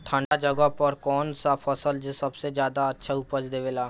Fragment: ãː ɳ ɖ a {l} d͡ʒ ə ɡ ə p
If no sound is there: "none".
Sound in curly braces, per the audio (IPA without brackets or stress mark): none